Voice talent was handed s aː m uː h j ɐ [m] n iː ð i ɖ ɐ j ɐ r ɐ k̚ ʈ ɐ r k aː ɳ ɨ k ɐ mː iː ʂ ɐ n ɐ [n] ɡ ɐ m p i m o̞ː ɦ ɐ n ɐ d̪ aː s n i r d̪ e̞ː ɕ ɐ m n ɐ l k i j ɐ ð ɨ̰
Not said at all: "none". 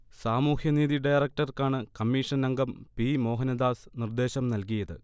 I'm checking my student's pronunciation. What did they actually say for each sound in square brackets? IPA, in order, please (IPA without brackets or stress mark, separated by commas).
none, ŋ